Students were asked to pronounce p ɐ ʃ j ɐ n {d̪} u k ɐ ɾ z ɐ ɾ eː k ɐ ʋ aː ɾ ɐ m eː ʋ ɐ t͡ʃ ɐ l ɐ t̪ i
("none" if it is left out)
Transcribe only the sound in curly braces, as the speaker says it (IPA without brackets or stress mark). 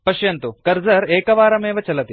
t̪